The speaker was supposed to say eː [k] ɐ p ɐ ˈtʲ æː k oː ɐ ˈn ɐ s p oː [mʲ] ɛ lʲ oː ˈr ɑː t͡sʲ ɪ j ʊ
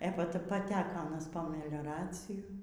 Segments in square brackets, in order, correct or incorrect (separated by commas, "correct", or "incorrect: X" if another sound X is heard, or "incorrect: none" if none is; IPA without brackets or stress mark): incorrect: p, correct